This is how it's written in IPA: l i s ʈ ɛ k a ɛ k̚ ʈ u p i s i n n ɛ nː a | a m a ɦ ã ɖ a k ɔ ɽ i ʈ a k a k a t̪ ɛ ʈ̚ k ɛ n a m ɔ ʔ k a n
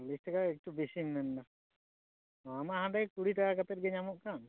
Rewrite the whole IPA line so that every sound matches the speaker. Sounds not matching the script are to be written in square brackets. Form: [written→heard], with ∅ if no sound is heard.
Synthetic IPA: l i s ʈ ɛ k a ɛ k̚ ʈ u [p→b] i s i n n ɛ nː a | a m a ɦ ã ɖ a k [ɔ→u] ɽ i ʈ a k a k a t̪ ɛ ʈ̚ [k→ɡ] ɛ [n→ɲ] a m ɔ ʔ k a n